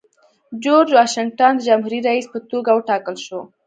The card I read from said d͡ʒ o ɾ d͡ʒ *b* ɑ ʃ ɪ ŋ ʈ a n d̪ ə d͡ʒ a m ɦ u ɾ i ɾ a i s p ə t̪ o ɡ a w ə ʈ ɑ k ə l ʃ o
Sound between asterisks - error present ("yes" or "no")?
yes